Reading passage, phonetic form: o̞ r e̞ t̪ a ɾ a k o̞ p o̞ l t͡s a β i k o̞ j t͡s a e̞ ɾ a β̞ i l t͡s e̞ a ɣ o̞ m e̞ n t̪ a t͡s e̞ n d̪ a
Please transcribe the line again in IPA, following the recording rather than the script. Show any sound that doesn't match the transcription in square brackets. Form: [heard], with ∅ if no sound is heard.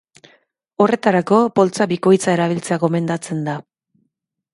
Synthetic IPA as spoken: o̞ r e̞ t̪ a ɾ a k o̞ p o̞ l t͡s a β i k o̞ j t͡s a e̞ ɾ a β̞ i l t͡s e̞ a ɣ o̞ m e̞ n [d̪] a t͡s e̞ n d̪ a